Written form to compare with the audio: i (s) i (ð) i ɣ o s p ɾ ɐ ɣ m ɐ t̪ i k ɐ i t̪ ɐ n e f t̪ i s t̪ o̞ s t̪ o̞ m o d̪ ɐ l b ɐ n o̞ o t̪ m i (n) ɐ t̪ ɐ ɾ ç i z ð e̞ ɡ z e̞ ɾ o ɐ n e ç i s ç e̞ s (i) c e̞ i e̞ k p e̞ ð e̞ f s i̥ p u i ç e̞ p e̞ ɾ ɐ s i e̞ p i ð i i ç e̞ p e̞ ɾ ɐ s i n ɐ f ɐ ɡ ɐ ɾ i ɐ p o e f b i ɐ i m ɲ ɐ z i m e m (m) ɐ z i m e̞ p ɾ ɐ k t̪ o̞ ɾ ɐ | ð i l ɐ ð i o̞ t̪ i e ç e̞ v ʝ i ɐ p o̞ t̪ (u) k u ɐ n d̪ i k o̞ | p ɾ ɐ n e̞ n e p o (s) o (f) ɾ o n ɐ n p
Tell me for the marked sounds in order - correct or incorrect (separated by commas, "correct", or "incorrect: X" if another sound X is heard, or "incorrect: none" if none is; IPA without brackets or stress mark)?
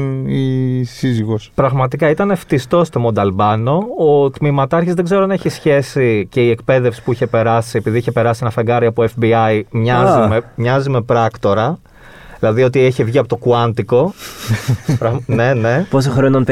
correct, incorrect: z, incorrect: m, correct, incorrect: ɲ, incorrect: o, correct, incorrect: x